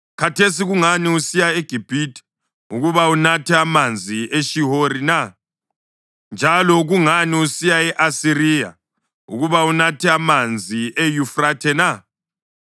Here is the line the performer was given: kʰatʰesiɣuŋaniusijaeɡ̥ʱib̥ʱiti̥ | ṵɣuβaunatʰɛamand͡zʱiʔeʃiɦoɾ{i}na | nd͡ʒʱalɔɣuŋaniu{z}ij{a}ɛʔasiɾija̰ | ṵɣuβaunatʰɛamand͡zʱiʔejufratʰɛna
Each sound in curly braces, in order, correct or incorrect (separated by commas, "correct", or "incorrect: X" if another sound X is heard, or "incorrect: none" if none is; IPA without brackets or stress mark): correct, incorrect: s, correct